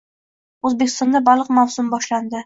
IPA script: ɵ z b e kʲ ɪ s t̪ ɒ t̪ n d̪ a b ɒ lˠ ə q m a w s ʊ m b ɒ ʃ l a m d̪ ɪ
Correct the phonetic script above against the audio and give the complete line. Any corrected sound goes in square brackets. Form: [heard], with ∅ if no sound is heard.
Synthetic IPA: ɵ z b e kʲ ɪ s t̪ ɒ [∅] n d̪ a b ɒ lˠ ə q m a w s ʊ m b ɒ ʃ l a [n] d̪ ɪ